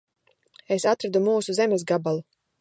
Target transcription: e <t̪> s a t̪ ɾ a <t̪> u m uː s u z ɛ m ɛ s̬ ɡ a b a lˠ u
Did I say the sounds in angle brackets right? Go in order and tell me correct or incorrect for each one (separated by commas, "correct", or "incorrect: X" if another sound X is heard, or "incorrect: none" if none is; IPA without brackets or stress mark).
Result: incorrect: none, incorrect: d̪